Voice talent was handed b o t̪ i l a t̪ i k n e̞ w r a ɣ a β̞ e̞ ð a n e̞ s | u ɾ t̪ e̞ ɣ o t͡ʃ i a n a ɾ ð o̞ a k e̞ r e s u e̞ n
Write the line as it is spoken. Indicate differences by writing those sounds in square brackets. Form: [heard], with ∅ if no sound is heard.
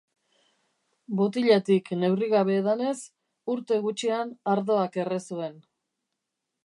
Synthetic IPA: b o t̪ i [ʎ] a t̪ i k n e̞ w r [i] ɣ a β̞ e̞ ð a n e̞ s | u ɾ t̪ e̞ ɣ [u] t͡ʃ i a n a ɾ ð o̞ a k e̞ r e s u e̞ n